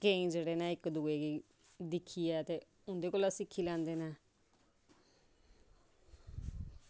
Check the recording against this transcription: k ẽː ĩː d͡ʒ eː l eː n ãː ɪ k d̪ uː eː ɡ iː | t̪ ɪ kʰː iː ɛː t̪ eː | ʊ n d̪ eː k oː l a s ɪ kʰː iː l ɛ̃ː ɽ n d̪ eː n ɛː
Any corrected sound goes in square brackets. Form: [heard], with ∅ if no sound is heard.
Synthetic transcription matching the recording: k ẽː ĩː d͡ʒ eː [ɽ] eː n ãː ɪ k d̪ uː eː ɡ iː | [d̪] ɪ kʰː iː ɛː t̪ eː | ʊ n d̪ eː k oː l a s ɪ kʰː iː l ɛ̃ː [∅] n d̪ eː n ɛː

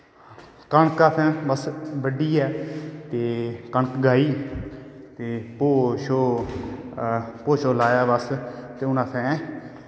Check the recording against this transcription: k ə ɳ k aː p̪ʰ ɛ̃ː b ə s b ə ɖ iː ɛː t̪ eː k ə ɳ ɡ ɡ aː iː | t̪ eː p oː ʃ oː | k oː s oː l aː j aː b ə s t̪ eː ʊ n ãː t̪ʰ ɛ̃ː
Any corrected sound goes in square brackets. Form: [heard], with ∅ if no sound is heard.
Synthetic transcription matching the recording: k ə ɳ k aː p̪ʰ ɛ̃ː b ə s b ə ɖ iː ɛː t̪ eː k ə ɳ [k] ɡ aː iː | t̪ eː p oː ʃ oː | [p] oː [ʃ] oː l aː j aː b ə s t̪ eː ʊ n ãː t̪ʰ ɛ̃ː

